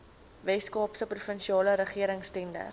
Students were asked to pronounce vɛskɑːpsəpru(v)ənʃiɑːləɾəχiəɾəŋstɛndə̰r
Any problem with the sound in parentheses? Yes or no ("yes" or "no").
yes